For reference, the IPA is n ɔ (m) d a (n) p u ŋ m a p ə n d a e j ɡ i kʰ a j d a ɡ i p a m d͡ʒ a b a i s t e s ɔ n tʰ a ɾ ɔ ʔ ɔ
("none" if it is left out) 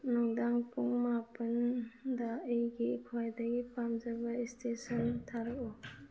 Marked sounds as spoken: ŋ, ŋ

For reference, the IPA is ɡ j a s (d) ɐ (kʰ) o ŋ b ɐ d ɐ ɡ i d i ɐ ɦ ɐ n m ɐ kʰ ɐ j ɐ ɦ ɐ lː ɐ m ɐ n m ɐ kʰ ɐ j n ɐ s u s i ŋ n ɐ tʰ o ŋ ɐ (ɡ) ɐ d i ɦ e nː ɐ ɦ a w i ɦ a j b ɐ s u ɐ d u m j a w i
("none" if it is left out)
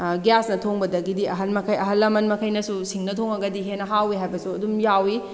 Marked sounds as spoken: n, tʰ, ɡ

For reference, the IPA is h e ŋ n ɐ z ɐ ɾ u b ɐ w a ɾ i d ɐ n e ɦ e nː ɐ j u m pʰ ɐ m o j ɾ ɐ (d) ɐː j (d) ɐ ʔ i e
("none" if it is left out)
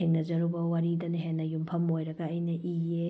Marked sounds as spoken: ɡ, n

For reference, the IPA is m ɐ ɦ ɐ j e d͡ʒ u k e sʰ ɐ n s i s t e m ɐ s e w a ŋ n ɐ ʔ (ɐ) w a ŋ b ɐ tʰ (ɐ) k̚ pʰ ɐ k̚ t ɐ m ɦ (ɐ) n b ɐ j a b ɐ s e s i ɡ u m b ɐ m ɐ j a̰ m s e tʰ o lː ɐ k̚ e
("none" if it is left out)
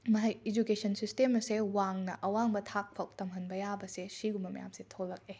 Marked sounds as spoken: ɐ, a, ɐ

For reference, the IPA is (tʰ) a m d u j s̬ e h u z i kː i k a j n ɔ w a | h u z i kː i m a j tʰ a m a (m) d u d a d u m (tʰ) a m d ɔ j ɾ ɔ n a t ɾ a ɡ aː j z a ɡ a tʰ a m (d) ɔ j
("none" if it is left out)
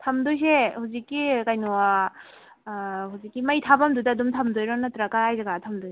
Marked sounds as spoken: tʰ, m, tʰ, d

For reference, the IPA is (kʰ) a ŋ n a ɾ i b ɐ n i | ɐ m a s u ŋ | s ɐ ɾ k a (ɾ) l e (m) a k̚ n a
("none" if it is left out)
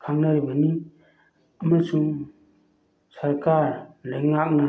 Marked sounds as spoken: kʰ, ɾ, ŋ

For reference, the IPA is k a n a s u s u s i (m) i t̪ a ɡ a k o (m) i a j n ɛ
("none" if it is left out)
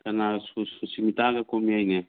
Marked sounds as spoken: m, m

